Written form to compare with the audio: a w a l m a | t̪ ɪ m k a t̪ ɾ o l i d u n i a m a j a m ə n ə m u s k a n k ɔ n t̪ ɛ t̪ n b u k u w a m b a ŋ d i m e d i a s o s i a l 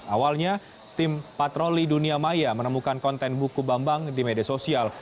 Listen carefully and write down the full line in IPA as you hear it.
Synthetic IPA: a w a l ɲ a | t̪ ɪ m p a t̪ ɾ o l i d u n i a m a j a m ə n ə m u k a n k ɔ n t̪ ɛ n b u k u b a m b a ŋ d i m e d i a s o s i a l